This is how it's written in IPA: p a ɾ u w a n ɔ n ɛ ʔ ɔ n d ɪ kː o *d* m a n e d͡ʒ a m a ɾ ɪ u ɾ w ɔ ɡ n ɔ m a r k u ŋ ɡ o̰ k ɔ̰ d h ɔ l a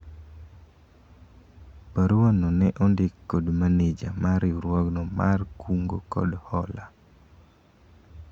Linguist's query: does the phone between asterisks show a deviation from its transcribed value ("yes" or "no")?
no